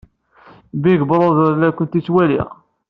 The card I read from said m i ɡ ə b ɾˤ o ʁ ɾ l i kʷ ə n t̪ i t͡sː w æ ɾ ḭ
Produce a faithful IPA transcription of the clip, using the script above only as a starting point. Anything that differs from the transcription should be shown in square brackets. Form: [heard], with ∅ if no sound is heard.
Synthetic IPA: [b] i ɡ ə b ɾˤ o [ð] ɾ l [æ] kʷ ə n t̪ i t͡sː w æ [l] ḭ